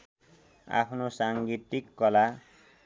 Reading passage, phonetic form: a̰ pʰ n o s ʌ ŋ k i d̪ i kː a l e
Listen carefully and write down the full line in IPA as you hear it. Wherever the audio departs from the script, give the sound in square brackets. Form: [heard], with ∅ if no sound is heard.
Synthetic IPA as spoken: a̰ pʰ n o s [a] ŋ [ɡ] i [t̪] i kː [ʌ] l [a]